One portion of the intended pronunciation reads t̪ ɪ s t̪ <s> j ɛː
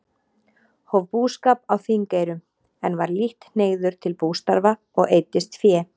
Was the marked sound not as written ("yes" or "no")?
yes